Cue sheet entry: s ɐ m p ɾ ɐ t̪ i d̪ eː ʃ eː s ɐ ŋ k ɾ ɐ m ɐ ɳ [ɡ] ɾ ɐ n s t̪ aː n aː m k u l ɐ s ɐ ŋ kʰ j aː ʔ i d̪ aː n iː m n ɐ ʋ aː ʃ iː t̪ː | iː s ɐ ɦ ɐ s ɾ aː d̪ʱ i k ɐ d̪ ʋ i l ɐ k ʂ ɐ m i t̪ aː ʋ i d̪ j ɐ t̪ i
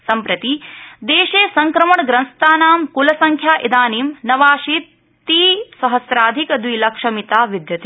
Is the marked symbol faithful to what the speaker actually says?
yes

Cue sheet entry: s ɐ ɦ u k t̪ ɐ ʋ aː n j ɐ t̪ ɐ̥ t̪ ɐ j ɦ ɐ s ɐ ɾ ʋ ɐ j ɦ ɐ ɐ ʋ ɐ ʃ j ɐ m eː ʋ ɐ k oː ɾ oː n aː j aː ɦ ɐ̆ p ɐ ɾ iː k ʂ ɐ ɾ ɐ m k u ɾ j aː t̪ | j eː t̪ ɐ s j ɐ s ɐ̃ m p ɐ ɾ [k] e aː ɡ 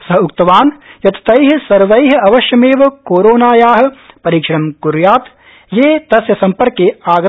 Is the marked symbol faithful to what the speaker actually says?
yes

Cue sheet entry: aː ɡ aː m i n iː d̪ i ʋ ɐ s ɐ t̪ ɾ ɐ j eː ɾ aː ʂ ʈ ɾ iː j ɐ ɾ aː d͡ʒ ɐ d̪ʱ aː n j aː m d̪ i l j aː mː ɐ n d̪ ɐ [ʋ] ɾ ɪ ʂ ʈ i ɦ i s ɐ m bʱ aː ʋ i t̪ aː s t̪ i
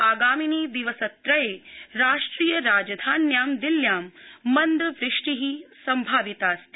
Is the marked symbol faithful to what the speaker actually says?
yes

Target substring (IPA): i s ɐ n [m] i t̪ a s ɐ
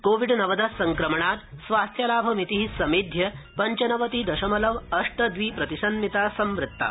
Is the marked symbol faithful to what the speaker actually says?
yes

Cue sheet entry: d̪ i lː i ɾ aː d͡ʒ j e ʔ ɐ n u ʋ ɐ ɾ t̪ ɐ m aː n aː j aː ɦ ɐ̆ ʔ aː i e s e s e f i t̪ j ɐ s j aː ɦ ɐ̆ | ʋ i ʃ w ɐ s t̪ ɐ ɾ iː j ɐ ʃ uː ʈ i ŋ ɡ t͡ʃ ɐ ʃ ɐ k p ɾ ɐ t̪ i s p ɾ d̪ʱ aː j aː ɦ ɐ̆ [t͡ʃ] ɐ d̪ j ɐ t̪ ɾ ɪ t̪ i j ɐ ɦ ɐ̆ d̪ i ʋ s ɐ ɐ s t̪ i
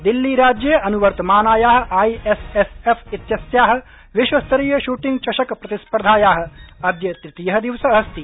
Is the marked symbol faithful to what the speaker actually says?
no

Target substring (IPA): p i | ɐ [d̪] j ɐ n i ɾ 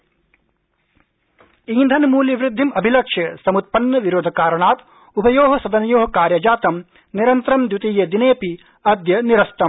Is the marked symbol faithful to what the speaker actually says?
yes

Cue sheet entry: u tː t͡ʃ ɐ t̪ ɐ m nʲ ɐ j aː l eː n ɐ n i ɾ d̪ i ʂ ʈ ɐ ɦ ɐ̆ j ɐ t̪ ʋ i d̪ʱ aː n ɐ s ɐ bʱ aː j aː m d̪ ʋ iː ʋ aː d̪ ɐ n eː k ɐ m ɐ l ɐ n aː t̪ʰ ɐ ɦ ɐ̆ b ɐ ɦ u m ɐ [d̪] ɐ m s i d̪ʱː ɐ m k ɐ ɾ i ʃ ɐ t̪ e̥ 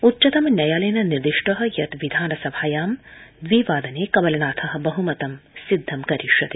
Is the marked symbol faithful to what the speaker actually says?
no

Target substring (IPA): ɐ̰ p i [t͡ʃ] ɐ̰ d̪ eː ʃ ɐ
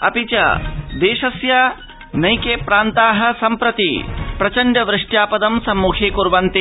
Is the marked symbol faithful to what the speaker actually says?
yes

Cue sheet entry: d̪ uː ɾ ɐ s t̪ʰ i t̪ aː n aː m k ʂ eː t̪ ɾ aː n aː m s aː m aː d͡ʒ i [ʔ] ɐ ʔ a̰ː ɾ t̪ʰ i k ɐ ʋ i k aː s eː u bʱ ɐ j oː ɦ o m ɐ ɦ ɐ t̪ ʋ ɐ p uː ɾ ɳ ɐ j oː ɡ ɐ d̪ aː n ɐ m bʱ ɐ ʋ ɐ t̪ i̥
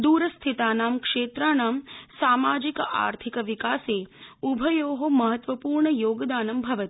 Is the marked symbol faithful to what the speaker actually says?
no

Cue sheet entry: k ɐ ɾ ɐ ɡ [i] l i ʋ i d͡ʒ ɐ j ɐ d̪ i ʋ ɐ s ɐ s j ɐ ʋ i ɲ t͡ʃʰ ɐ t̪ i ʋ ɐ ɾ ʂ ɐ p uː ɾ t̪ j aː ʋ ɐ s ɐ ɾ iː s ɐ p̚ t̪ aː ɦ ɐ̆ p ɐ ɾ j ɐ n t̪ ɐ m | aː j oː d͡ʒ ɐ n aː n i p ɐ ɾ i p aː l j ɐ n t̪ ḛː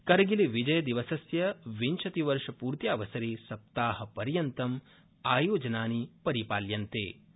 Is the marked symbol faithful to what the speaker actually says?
yes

